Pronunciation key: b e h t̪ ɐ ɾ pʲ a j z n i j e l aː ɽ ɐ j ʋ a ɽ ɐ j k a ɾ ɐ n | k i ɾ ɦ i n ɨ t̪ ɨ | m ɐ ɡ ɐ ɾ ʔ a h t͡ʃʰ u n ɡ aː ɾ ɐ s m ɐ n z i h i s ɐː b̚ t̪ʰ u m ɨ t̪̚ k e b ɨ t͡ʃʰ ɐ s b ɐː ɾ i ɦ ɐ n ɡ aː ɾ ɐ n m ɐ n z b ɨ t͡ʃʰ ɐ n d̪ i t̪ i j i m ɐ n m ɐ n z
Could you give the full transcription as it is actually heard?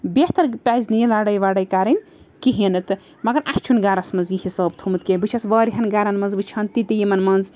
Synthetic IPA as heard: b e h t̪ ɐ ɾ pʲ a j z n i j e l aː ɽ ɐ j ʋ a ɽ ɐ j k a ɾ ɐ n | k i ɦ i n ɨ t̪ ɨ | m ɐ ɡ ɐ ɾ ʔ a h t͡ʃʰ u n ɡ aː ɾ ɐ s m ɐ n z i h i s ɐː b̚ t̪ʰ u m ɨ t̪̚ k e b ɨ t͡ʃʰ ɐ s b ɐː ɾ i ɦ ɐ n ɡ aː ɾ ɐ n m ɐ n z b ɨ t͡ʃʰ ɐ n t̪ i t̪ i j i m ɐ n m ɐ n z

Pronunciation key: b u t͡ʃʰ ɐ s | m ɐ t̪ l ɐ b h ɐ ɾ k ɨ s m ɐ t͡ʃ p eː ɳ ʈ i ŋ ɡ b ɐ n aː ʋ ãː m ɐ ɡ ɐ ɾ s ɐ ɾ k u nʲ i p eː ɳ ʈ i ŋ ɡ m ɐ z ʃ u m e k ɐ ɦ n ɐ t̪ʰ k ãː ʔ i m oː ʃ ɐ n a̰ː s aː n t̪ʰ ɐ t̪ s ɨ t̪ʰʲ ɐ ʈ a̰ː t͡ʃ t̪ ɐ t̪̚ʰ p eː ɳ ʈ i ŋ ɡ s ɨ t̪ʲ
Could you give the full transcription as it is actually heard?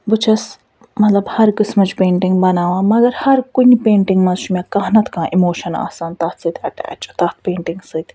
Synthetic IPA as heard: b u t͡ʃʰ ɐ s | m ɐ t̪ l ɐ b h ɐ ɾ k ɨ s m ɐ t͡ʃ p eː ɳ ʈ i ŋ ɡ b ɐ n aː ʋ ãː m ɐ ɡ ɐ ɾ h ɐ ɾ k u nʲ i p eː ɳ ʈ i ŋ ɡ m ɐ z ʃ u m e k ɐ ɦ n ɐ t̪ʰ k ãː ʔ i m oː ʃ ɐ n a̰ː s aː n t̪ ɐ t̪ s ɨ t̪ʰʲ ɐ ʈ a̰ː t͡ʃ t̪ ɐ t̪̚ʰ p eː ɳ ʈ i ŋ ɡ s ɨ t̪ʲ

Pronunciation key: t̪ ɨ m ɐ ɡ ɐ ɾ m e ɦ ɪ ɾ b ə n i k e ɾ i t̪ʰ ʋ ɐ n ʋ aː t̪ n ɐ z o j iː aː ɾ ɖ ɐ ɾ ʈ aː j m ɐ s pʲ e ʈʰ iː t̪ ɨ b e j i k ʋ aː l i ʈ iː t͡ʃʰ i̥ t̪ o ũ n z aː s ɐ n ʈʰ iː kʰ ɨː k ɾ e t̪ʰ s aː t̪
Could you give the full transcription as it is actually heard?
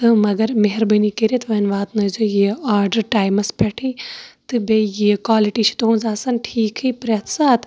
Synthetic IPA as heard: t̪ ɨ m ɐ ɡ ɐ ɾ m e ɦ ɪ ɾ b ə n i k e ɾ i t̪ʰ ʋ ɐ n ʋ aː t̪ n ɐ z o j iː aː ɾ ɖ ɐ ɾ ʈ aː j m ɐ s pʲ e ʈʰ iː t̪ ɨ b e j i k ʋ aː l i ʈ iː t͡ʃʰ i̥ t̪ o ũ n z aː s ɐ n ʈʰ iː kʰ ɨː p ɾ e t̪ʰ s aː t̪

